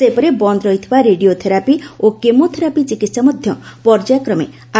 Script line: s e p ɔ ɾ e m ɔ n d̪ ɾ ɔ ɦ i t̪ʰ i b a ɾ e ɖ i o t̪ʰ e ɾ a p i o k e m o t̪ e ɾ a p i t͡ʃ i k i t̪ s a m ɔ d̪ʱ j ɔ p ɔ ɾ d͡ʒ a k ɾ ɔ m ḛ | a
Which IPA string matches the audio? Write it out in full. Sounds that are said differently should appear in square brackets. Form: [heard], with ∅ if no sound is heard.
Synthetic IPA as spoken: s e p ɔ ɾ e [b] ɔ n d̪ ɾ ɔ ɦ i t̪ʰ i b a ɾ e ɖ i o t̪ʰ e ɾ a p i o k e m o [t̪ʰ] e ɾ a p i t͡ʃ i k i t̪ s a m ɔ d̪ʱ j ɔ p ɔ ɾ d͡ʒ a k ɾ ɔ m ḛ | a